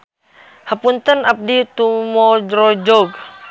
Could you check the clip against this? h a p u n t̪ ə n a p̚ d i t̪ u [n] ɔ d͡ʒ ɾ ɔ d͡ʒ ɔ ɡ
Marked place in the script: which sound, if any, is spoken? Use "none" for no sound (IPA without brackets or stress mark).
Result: m